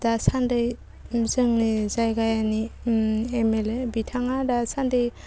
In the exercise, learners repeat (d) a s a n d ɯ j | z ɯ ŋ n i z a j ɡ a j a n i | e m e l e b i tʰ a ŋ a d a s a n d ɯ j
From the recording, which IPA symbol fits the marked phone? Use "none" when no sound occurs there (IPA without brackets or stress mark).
d